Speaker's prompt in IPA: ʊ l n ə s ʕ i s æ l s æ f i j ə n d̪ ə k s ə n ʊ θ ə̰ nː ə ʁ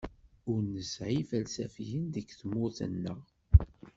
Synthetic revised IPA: ʊ ɾ n ə s ʕ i f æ l s æ f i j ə n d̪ ə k θ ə m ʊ θ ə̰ nː ə ʁ